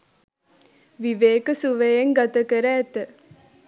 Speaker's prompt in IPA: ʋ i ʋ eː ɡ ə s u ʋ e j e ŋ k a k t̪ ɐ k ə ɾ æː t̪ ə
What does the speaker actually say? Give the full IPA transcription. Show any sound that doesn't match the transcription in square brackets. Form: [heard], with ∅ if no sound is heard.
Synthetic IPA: ʋ i ʋ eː [k] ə s u ʋ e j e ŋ [ɡ] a [∅] t̪ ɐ k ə ɾ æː t̪ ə

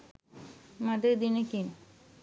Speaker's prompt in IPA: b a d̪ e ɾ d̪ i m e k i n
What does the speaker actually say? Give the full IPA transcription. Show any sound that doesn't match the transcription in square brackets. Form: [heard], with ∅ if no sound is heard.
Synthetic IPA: [m] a d̪ e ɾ d̪ i [n] e k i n

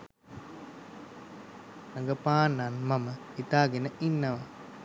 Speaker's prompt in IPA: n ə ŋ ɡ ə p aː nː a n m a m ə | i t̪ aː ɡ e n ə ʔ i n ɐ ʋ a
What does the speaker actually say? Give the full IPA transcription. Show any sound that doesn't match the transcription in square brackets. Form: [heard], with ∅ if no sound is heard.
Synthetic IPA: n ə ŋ ɡ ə p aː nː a n m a m ə | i t̪ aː ɡ e n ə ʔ i [nː] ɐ ʋ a

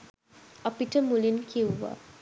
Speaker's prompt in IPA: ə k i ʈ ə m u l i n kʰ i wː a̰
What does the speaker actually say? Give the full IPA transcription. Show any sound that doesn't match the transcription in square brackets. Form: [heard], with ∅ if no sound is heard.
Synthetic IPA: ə [p] i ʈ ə m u l i n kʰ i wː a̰

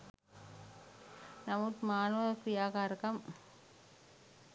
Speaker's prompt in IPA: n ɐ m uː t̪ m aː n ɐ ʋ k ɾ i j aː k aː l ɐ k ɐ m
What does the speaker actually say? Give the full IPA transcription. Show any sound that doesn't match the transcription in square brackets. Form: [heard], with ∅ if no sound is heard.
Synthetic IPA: n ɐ m [u] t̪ m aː n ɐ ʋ k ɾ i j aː k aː [ɾ] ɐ k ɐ m

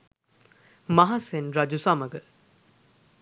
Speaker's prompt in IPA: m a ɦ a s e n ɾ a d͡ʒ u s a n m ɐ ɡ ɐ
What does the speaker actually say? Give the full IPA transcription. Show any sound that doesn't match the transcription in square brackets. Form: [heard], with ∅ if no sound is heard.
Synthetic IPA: m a ɦ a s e n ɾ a d͡ʒ u s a [∅] m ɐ ɡ [ə]

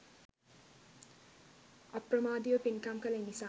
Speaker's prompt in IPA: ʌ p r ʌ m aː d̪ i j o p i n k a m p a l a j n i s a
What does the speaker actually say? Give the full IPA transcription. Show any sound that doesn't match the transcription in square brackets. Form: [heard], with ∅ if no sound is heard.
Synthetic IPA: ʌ p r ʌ m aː d̪ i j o p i n k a m [k] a l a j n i s a

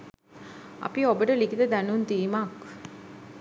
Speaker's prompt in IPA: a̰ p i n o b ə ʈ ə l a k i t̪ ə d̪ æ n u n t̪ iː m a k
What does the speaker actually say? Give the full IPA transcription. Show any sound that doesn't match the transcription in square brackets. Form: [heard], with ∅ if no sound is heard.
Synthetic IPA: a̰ p i [∅] o b ə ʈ ə l [i] k i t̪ ə d̪ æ n u n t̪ iː m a k

